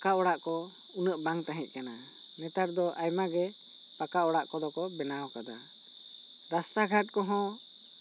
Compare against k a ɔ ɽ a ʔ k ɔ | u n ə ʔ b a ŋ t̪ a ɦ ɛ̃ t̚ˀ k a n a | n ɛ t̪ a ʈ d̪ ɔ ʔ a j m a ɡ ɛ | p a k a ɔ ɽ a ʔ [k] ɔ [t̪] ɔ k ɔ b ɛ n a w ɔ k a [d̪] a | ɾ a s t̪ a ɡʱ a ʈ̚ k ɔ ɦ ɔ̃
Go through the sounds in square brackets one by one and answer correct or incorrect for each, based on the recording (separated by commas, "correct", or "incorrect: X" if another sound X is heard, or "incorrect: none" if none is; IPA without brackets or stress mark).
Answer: correct, incorrect: d̪, correct